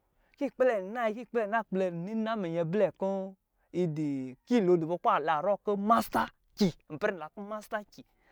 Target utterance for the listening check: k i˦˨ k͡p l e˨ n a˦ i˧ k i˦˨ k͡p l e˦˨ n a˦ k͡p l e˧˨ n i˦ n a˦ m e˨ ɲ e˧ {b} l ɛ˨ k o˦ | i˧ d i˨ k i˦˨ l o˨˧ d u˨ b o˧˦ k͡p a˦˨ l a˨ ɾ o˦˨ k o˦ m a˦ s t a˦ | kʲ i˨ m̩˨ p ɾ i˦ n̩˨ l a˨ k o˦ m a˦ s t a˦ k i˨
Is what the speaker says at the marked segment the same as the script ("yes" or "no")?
yes